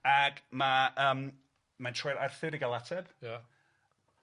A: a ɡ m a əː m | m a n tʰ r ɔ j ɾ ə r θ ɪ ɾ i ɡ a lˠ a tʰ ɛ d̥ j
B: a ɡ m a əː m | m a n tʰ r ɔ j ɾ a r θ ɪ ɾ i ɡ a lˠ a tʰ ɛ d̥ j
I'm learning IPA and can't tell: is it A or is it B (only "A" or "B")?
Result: B